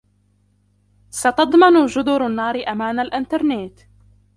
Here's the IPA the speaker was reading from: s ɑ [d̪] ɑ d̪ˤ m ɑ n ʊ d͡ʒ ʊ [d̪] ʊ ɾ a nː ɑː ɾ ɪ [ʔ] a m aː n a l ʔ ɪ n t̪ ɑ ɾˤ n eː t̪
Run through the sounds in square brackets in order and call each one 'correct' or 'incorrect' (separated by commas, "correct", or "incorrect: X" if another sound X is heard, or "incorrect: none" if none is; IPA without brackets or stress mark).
incorrect: t̪, correct, correct